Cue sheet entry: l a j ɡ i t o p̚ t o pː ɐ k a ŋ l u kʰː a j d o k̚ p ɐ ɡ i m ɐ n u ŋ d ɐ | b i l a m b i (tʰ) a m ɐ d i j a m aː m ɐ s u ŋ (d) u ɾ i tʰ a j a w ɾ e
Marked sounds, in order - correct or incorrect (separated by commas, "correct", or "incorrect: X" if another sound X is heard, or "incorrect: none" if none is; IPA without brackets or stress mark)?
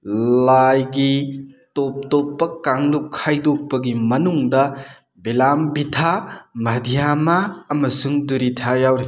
correct, correct